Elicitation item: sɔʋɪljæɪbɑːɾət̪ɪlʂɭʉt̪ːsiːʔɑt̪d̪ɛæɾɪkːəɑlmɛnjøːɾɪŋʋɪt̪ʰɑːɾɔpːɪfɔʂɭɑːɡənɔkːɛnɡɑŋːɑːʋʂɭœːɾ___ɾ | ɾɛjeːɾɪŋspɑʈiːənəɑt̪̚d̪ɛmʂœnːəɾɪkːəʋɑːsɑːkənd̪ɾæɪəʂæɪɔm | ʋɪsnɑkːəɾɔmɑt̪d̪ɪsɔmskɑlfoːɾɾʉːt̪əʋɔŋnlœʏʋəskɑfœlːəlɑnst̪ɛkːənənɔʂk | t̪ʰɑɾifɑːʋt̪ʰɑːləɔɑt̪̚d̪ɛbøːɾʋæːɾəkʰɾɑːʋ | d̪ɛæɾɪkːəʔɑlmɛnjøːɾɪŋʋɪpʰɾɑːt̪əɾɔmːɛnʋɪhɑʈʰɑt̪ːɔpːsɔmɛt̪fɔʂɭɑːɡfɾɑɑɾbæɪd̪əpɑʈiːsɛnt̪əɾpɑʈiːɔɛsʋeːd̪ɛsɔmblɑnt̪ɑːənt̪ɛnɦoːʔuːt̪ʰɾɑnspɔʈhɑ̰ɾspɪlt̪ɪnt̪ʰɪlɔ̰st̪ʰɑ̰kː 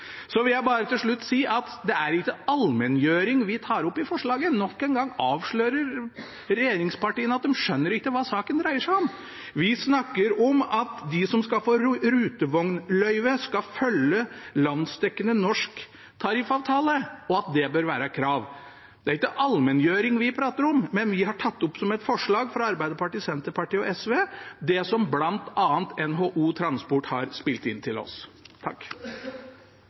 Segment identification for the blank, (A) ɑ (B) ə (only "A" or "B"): B